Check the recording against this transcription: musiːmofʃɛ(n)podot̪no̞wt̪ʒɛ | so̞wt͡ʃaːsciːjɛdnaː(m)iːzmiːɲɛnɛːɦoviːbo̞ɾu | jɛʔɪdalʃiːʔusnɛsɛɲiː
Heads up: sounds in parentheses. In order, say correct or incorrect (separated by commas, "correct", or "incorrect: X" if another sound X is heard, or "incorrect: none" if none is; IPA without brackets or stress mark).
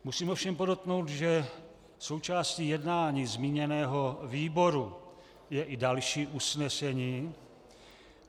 incorrect: m, incorrect: ɲ